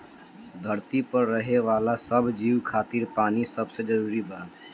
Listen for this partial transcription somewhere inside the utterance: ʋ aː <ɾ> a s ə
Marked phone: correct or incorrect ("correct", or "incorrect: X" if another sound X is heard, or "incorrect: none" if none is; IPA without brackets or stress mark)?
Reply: incorrect: l